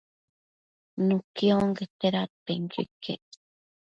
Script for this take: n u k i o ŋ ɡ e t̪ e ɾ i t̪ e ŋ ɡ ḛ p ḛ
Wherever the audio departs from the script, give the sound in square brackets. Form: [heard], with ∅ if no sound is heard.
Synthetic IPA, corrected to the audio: n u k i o ŋ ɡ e t̪ e ɾ [a] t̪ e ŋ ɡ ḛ [k] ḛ